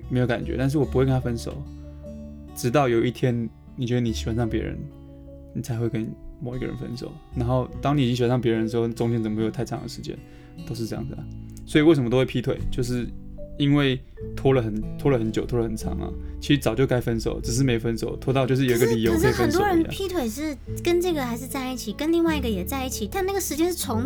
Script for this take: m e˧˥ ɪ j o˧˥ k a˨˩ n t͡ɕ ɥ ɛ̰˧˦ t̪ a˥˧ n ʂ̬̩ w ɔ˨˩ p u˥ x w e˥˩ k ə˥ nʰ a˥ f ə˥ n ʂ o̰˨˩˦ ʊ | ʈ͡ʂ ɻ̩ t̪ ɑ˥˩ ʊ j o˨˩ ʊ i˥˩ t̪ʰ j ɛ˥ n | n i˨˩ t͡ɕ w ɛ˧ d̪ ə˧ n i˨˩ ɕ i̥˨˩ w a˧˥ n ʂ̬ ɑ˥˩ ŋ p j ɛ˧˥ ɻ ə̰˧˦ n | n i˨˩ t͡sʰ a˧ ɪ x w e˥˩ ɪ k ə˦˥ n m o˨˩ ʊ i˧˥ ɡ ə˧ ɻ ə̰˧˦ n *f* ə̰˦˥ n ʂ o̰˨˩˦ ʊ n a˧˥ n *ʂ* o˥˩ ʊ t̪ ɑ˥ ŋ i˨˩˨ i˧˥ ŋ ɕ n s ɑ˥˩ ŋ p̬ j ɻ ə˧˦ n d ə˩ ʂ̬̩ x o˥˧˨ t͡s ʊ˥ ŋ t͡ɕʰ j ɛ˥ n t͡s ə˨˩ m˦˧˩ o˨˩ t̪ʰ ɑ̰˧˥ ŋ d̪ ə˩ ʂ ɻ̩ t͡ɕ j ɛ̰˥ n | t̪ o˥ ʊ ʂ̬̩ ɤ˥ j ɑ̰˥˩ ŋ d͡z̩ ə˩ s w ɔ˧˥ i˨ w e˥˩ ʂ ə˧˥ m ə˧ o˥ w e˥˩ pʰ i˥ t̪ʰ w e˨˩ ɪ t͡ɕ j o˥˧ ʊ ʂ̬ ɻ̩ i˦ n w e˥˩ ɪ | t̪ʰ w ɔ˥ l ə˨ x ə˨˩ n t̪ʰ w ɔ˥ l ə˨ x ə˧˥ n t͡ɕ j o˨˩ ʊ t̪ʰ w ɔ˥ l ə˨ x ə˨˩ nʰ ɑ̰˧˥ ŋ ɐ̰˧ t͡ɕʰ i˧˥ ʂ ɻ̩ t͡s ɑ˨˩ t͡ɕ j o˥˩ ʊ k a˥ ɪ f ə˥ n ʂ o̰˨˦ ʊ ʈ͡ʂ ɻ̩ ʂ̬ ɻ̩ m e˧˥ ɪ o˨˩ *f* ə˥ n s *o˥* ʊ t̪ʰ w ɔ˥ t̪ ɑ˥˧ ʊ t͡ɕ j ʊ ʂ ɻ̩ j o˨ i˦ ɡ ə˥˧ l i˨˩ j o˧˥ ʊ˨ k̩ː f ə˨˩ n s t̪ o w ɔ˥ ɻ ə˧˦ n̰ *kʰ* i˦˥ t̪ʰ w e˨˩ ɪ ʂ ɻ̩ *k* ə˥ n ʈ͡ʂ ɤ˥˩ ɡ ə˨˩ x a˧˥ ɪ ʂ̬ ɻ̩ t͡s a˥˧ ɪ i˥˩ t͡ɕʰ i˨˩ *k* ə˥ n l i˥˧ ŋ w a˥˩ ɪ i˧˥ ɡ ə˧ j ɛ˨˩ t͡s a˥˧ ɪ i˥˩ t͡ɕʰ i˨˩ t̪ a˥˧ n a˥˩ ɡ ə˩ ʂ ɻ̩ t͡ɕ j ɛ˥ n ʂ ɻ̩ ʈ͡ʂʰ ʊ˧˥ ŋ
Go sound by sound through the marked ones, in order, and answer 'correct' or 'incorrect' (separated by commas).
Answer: correct, incorrect, correct, incorrect, incorrect, correct, correct